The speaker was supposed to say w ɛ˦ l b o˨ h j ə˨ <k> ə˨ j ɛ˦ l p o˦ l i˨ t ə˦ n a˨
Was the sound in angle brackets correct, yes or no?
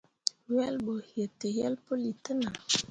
no